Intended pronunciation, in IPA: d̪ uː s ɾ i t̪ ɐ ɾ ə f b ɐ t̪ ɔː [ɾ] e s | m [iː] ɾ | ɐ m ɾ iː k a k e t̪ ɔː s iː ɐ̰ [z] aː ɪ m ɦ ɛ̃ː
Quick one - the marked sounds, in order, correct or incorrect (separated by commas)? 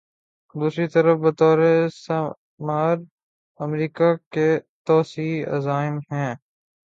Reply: correct, incorrect, correct